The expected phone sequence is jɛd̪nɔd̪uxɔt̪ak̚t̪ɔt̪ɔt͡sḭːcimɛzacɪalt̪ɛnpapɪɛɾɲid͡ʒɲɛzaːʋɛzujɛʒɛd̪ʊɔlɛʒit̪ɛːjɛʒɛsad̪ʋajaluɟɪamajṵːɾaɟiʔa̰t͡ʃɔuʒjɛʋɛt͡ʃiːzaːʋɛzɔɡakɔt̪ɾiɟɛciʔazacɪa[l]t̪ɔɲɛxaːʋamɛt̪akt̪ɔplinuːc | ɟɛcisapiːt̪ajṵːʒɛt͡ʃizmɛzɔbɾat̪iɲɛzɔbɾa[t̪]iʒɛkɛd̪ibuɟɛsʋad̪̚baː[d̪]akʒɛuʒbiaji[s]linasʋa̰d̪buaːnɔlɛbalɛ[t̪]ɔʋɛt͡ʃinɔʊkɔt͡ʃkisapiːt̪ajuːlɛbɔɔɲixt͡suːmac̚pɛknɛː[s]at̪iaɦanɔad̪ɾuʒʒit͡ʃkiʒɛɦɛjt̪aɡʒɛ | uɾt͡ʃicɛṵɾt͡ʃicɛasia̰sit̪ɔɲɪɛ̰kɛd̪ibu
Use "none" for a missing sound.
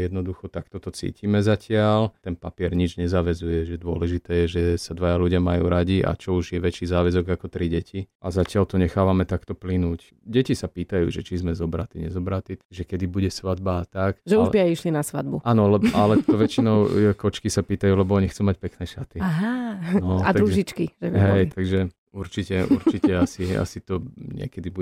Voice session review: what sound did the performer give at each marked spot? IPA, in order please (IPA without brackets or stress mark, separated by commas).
l, t̪, t̪, ʃ, t̪, ʃ